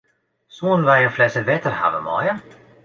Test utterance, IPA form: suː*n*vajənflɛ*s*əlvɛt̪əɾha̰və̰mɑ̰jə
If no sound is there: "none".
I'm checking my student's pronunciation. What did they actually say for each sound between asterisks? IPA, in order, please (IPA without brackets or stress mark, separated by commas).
n, s